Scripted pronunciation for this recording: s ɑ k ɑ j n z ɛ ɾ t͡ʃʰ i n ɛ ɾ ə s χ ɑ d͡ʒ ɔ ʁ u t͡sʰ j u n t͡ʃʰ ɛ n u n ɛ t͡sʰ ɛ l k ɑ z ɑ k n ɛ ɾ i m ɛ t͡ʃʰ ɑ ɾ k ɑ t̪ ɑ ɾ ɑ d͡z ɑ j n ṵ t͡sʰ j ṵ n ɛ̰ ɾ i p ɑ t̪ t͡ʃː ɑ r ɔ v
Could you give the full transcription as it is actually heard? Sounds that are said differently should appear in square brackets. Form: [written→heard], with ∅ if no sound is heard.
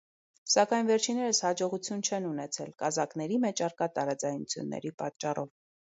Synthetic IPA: s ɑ k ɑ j n [z→v] ɛ ɾ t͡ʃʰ i n ɛ ɾ ə s [χ→h] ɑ d͡ʒ ɔ ʁ u t͡sʰ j u n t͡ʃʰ ɛ n u n ɛ t͡sʰ ɛ l k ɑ z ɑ k n ɛ ɾ i m ɛ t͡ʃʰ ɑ ɾ k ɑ t̪ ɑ ɾ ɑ d͡z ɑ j n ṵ t͡sʰ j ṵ [n→nː] ɛ̰ ɾ i p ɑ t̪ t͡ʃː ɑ r ɔ v